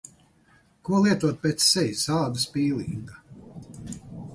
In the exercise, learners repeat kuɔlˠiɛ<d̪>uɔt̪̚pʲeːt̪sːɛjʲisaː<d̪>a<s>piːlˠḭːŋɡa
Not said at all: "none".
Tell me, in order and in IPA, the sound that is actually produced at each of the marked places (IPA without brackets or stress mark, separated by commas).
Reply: t̪, d̪, s